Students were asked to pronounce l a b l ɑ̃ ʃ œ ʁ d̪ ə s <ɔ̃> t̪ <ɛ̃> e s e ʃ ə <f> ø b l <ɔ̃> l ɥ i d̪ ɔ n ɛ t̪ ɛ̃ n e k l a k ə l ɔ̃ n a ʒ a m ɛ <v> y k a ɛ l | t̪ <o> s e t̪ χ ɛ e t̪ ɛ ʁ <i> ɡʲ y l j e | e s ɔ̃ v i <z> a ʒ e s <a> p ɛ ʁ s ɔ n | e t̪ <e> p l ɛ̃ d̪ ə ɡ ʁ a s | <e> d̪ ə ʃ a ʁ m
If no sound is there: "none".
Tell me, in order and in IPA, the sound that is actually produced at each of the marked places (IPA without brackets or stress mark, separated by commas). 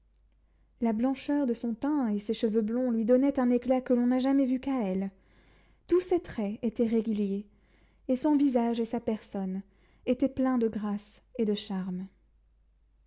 ɔ̃, ɛ̃, v, ɔ̃, v, u, e, z, a, ɛ, e